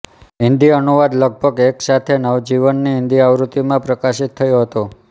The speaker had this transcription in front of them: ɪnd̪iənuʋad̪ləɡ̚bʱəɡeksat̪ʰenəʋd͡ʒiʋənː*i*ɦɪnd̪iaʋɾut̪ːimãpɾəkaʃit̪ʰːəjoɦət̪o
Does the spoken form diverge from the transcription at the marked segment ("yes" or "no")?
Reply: no